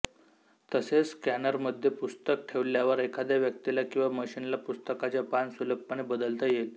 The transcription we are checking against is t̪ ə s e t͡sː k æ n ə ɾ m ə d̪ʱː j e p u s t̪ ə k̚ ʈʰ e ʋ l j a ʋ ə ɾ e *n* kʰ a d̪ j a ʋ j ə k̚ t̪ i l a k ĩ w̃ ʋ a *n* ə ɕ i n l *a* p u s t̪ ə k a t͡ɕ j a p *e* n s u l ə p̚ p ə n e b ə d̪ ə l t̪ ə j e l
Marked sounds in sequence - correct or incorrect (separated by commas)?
incorrect, incorrect, correct, incorrect